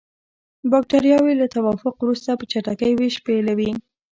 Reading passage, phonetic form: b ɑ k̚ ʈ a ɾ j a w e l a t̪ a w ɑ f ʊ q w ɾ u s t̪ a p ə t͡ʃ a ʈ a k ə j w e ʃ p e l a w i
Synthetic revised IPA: b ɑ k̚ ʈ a ɾ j ɑ w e l a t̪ a w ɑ f ʊ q w ɾ u s t̪ a p ə t͡ʃ a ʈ a k ə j w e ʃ p e l a w i